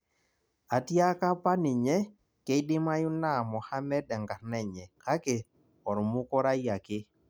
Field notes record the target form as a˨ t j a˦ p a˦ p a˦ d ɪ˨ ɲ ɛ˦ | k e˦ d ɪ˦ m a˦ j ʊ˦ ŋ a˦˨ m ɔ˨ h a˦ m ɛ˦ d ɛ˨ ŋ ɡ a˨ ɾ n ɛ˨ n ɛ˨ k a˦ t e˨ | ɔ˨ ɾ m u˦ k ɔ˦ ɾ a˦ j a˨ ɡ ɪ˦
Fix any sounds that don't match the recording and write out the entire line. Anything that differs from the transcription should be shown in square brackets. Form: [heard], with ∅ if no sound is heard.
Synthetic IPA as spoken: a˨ t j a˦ [k] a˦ p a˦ [n] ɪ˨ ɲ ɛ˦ | k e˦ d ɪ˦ m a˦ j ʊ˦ [n] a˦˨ m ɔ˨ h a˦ m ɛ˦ d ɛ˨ ŋ ɡ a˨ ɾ n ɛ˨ [ɲ] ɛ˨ k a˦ [k] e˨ | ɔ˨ ɾ m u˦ k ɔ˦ ɾ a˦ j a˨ [k] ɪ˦